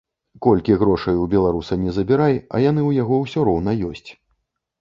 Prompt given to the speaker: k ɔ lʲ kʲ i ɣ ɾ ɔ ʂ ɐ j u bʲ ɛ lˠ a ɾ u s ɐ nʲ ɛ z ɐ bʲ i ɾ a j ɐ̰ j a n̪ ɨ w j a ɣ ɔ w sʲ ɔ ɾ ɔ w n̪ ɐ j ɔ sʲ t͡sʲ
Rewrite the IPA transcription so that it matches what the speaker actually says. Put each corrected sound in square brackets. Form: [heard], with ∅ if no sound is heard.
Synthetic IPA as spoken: k ɔ lʲ kʲ i ɣ ɾ ɔ ʂ ɐ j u bʲ ɛ lˠ a ɾ u s ɐ nʲ ɛ z ɐ bʲ i ɾ a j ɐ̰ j a n̪ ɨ w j a ɣ ɔ w sʲ ɔ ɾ ɔ w n̪ ɐ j ɔ sʲ t͡sʲ